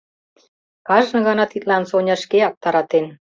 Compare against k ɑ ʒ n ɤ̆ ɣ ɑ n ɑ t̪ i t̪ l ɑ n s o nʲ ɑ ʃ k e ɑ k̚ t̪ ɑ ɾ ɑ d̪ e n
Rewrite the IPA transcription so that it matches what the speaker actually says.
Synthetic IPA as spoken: k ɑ ʒ n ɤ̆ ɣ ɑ n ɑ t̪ i t̪ l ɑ n s o nʲ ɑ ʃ k e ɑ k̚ t̪ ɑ ɾ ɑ t̪ e n